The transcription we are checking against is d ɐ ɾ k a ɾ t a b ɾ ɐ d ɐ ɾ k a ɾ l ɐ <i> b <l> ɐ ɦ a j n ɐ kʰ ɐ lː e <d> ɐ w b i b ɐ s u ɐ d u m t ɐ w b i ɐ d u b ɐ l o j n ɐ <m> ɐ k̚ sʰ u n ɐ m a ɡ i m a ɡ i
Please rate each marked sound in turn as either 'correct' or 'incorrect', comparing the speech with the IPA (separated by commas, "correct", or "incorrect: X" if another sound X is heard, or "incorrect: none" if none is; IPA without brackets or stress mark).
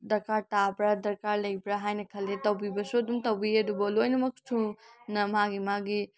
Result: incorrect: j, incorrect: ɾ, incorrect: t, correct